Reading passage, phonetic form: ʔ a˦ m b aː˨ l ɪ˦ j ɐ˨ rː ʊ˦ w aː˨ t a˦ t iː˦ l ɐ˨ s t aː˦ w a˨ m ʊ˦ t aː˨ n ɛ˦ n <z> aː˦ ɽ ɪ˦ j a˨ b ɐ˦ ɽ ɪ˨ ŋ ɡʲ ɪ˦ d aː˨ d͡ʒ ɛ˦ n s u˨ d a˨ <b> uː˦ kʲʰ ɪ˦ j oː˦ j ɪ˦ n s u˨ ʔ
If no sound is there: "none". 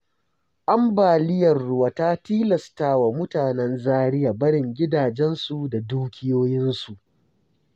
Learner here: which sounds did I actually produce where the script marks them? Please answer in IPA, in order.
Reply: z, d

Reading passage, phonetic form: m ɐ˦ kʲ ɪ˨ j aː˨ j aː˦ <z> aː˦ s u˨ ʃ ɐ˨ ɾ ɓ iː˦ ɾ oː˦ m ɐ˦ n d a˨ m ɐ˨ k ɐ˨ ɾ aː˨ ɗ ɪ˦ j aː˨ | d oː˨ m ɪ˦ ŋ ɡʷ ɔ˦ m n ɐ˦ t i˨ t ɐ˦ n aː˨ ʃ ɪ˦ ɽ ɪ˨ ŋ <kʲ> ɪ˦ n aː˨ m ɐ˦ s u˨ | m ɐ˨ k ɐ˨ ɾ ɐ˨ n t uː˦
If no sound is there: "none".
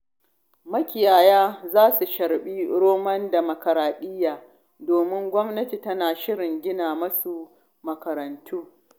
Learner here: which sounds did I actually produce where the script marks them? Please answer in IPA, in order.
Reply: z, ɡʲ

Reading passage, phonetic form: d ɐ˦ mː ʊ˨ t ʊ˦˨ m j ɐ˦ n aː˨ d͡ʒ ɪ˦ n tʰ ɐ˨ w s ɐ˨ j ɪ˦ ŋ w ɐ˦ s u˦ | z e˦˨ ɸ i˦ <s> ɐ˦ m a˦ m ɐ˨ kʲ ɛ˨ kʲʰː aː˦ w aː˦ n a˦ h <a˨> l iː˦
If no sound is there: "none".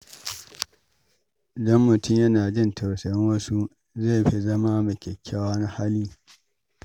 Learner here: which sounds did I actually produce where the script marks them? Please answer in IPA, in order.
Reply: z, a˦

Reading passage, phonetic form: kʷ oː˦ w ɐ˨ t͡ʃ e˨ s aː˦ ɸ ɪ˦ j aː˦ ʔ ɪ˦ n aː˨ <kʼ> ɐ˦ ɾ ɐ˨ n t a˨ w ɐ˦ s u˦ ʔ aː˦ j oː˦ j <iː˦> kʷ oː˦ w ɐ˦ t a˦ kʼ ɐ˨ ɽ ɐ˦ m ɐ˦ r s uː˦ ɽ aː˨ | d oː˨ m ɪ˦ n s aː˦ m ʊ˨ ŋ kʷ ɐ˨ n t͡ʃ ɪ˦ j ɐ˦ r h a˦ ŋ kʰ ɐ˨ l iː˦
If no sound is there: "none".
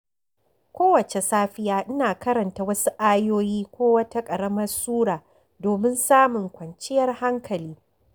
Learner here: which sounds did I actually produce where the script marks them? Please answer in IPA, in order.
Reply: k, iː˦

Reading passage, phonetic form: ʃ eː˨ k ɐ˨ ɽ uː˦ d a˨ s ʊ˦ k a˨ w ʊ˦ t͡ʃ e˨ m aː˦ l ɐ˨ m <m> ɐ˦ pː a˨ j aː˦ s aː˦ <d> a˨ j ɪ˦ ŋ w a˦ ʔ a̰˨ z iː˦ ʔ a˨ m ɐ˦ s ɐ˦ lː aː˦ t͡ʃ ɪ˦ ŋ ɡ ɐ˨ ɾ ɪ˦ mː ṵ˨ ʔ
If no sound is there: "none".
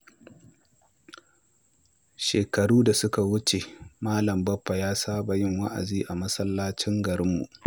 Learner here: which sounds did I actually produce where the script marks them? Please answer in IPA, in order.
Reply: b, b

